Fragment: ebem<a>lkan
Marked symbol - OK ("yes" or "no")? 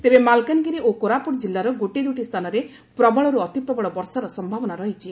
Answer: yes